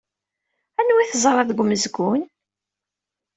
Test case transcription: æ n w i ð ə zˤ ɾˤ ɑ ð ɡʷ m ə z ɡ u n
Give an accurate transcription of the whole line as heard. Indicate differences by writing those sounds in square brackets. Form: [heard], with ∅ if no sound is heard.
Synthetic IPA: æ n w i [θ] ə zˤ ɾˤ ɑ ð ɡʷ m ə z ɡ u n